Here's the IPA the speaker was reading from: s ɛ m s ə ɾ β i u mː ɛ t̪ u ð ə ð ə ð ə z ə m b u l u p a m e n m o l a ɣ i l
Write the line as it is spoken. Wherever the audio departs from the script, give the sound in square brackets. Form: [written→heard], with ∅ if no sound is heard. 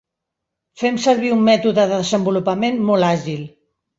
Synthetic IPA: [s→f] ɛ m s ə ɾ β i u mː ɛ t̪ u ð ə ð ə ð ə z ə m b u l u p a m e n m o l a [ɣ→ʒ] i l